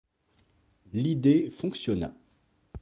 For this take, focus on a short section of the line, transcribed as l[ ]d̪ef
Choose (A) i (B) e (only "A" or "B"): A